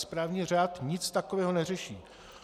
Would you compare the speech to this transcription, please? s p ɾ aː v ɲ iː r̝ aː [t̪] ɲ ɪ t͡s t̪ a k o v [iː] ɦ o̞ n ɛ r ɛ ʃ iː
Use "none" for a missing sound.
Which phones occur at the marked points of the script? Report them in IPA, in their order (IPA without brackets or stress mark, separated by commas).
t̪, ɛː